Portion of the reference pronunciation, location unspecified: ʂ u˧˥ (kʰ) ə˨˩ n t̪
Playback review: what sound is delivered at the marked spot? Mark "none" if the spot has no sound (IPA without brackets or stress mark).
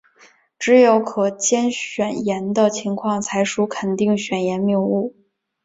kʰ